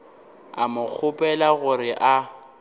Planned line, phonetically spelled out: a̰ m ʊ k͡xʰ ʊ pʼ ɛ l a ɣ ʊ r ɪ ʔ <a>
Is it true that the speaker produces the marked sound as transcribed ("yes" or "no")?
yes